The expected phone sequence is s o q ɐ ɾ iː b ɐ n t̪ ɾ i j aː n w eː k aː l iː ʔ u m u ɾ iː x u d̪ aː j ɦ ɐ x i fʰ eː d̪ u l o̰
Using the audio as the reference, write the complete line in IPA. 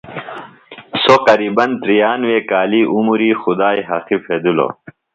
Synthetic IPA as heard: s o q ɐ ɾ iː b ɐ n t̪ ɾ i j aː n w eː k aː l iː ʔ u m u ɾ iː x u d̪ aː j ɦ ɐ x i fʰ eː d̪ u l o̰